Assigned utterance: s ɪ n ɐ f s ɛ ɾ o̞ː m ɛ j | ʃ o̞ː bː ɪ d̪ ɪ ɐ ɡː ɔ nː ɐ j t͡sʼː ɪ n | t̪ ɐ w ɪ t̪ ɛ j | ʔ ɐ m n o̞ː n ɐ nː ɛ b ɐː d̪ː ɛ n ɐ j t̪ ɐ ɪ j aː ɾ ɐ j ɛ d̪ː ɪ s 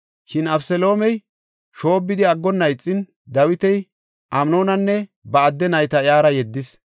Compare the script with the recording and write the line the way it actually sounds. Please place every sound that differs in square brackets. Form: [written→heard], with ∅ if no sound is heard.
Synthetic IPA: [s→ʃ] ɪ n ɐ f s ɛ [ɾ→l] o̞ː m ɛ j | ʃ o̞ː bː ɪ d̪ ɪ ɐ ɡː ɔ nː ɐ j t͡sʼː ɪ n | [t̪→d̪] ɐ w ɪ t̪ ɛ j | ʔ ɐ m n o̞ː n ɐ nː ɛ b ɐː d̪ː ɛ n ɐ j t̪ ɐ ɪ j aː ɾ ɐ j ɛ d̪ː ɪ s